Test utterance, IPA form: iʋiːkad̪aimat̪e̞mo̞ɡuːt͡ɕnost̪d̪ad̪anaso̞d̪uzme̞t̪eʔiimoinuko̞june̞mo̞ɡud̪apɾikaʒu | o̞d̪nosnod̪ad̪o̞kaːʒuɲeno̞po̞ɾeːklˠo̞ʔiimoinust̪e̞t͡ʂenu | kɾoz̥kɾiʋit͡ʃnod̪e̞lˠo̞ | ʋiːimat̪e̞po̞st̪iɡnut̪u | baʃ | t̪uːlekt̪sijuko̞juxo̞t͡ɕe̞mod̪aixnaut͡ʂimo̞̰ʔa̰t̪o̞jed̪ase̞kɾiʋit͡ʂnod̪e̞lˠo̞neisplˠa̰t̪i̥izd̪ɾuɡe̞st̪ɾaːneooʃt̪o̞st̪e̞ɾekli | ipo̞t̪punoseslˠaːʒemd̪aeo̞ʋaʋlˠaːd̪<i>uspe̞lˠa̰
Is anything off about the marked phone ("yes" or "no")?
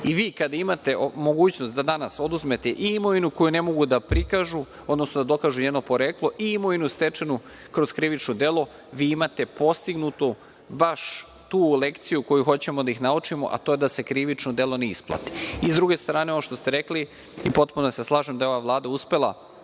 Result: yes